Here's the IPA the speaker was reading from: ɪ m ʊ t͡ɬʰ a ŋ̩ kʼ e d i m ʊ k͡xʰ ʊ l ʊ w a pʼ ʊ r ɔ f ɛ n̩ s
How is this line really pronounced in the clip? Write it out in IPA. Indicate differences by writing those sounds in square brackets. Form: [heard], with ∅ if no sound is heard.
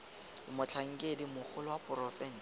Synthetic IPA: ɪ m ʊ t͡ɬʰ a ŋ̩ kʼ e d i m ʊ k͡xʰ ʊ l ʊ w a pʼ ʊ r ɔ f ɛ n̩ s